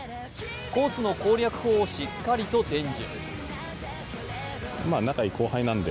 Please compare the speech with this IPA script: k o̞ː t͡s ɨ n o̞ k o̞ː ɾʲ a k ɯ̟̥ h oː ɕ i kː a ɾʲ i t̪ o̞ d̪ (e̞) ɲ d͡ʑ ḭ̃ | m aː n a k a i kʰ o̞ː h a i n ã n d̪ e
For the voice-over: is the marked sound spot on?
no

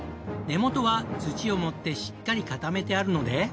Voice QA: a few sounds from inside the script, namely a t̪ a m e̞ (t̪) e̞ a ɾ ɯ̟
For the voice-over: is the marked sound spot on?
yes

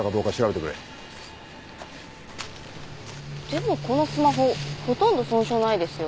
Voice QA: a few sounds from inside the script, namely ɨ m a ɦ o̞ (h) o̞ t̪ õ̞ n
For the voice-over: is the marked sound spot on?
yes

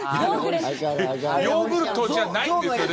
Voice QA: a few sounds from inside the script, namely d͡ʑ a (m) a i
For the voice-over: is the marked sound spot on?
no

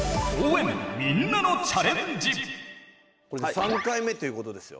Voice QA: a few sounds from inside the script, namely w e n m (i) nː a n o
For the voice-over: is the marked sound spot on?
yes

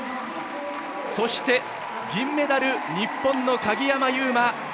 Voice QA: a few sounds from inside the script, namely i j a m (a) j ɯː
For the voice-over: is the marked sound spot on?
yes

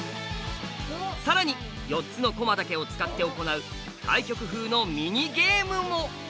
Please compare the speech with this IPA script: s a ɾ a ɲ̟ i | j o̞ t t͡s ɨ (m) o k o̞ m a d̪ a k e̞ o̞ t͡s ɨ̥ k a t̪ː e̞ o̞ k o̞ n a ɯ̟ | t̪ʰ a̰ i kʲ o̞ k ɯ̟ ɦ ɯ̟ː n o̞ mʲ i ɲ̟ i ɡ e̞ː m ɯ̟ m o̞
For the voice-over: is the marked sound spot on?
no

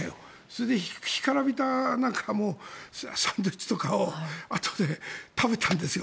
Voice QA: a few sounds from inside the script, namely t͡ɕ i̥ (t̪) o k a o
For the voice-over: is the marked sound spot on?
yes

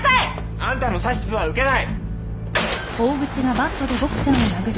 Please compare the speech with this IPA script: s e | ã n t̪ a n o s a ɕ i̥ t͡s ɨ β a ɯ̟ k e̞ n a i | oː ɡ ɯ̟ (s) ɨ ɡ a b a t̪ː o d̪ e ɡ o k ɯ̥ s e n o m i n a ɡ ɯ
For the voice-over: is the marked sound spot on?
no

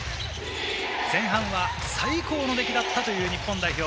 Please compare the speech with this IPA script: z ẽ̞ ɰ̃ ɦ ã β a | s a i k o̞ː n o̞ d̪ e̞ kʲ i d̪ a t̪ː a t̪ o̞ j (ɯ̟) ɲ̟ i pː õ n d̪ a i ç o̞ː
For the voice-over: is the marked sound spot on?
no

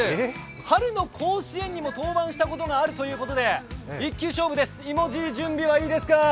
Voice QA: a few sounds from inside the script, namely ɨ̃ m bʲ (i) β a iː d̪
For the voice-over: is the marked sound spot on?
yes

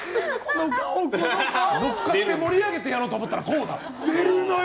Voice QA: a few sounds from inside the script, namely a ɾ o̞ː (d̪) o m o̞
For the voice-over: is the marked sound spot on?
no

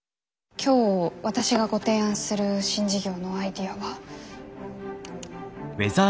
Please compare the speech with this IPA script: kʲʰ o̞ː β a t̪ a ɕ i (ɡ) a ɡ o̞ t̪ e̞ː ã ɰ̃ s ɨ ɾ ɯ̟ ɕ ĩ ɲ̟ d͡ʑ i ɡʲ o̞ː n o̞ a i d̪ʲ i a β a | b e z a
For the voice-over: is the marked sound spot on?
yes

